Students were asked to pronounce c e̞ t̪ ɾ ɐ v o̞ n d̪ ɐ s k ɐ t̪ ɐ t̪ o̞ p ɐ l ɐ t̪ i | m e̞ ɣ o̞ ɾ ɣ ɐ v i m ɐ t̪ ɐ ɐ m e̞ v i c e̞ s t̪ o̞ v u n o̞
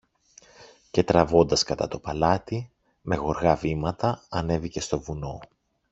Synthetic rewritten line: c e̞ t̪ ɾ ɐ v o̞ n d̪ ɐ s k ɐ t̪ ɐ t̪ o̞ p ɐ l ɐ t̪ i | m e̞ ɣ o̞ ɾ ɣ ɐ v i m ɐ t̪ ɐ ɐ n e̞ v i c e̞ s t̪ o̞ v u n o̞